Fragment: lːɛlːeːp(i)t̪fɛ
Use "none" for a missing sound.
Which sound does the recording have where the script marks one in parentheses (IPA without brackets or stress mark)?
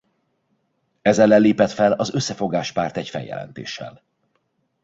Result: ɛ